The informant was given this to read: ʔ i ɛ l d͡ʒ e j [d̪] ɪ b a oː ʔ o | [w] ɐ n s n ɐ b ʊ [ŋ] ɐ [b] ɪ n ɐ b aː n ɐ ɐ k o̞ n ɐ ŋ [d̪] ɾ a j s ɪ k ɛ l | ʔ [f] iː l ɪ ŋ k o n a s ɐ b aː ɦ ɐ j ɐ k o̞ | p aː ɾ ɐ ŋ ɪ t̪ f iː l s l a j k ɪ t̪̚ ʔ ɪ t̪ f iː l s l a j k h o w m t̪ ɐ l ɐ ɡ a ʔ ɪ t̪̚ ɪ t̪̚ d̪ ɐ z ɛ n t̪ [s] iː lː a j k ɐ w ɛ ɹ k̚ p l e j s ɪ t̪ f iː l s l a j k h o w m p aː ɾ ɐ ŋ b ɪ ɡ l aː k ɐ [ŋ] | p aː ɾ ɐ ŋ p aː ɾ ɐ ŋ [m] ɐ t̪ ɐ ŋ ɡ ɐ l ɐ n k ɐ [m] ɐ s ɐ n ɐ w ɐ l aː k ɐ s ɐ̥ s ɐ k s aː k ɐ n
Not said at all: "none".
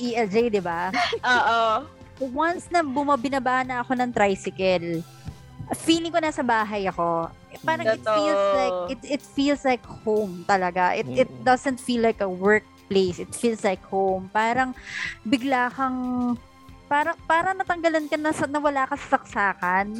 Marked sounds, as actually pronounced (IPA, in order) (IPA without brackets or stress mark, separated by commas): d̪, w, m, b, t̪, f, f, ŋ, n, n